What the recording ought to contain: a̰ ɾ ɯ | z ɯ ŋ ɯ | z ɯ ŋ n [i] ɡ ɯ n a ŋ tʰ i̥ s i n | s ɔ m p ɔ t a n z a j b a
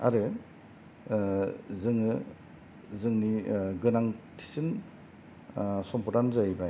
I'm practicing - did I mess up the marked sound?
no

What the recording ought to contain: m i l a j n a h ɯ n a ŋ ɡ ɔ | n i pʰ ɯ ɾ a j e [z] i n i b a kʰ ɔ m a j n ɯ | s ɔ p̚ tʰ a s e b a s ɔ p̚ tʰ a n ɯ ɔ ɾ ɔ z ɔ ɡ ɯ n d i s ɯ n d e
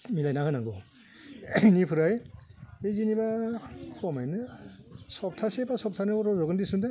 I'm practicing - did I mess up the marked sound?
no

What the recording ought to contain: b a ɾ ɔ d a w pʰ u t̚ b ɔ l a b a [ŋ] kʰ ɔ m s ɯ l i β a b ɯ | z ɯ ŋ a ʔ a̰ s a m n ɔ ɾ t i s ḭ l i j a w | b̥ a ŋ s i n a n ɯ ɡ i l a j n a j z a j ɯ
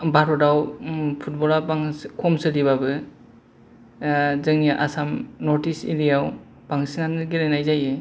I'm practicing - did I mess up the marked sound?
no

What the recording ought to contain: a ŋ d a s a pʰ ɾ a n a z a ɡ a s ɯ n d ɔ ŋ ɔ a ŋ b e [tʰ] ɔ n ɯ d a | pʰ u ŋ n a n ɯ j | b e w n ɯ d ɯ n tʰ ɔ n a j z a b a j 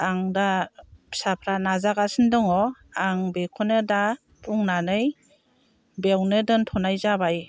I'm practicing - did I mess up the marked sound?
yes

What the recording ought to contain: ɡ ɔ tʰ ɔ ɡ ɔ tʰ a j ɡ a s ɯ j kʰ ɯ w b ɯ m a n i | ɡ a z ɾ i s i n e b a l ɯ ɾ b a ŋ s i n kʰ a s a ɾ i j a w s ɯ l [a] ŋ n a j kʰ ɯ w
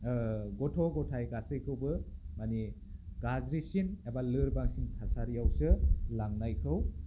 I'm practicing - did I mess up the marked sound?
no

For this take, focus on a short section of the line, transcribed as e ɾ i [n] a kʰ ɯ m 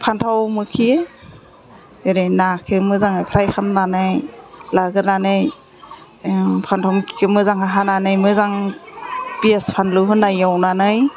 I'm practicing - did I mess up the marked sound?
no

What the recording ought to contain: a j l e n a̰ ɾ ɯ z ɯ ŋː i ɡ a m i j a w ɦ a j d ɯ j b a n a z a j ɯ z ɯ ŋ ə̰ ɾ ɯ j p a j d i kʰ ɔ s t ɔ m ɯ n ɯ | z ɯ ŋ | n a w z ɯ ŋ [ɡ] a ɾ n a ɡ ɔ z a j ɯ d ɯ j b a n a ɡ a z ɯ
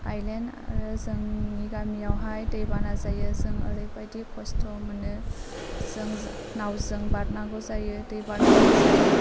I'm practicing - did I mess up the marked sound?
yes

